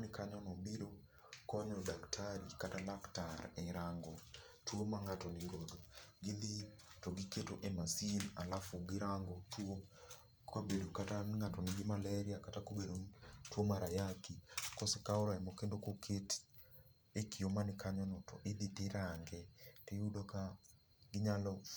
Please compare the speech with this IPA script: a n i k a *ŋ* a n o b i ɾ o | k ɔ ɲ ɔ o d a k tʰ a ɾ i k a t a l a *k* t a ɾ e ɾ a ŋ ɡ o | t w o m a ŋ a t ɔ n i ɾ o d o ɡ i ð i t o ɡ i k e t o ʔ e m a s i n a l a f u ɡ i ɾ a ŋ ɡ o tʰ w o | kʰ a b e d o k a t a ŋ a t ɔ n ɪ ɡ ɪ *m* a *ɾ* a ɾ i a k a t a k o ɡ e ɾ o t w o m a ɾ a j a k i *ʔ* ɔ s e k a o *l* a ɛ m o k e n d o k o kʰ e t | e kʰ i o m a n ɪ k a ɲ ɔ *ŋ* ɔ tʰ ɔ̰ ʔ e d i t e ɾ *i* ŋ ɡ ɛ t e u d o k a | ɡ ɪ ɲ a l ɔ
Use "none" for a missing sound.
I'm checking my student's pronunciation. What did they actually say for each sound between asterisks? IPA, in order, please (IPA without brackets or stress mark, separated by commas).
ɲ, k, m, l, k, ɾ, n, a